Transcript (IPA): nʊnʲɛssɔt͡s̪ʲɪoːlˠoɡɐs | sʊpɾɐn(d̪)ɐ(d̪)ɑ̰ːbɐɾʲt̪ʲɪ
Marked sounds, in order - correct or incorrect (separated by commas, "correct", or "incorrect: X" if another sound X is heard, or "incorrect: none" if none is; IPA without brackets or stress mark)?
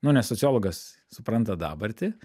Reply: incorrect: t̪, correct